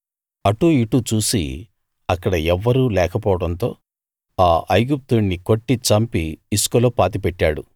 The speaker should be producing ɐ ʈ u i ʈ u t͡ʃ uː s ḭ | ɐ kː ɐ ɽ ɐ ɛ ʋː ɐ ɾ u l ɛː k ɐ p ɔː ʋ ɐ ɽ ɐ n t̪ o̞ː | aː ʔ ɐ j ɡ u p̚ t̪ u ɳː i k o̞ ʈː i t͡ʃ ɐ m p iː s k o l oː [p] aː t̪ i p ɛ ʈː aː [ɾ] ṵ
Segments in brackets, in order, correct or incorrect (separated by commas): correct, incorrect